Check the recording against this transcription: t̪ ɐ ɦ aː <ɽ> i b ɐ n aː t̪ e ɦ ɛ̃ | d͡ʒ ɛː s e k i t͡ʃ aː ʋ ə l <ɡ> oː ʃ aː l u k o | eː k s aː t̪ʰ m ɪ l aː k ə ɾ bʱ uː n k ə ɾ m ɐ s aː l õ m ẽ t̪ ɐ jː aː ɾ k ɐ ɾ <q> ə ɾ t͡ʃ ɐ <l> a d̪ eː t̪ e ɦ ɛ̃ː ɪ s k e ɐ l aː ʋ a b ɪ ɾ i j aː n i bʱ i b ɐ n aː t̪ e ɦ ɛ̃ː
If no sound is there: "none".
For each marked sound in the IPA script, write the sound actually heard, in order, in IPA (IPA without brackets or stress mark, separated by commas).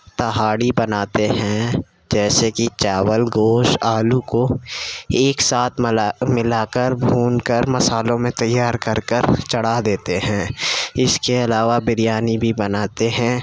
ɽ, ɡ, k, ɽ